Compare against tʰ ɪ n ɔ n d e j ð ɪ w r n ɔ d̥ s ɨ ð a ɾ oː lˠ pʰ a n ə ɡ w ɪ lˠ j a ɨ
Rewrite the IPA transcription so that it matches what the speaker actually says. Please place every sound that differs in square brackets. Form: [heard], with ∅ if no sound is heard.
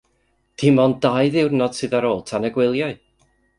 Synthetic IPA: tʰ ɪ [m] ɔ n d [a] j ð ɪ w r n ɔ d̥ s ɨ ð a ɾ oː lˠ [tʰ] a n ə ɡ w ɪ lˠ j a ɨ